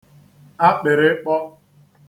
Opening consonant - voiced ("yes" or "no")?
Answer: no